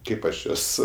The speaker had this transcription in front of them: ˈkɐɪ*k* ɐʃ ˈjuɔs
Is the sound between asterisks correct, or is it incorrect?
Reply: incorrect